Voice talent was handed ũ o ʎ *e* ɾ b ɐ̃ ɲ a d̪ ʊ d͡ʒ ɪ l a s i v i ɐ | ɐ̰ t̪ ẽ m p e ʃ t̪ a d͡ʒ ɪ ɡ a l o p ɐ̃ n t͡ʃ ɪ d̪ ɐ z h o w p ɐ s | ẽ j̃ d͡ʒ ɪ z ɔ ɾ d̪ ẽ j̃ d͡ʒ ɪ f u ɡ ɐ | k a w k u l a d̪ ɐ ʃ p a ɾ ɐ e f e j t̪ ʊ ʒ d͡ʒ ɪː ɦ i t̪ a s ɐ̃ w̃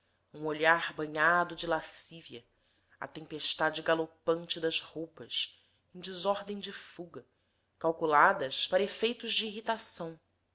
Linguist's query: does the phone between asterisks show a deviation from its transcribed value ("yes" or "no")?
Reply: yes